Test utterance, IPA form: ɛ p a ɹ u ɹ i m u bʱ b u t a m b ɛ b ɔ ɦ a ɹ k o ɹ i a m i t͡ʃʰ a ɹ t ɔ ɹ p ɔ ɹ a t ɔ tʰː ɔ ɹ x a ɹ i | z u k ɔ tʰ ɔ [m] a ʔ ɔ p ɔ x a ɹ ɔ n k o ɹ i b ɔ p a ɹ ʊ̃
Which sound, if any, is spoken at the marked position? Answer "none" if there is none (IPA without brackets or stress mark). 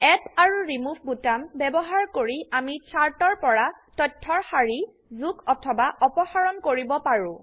b